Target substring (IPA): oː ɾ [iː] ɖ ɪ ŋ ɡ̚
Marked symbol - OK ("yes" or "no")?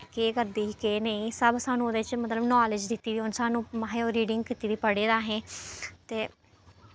yes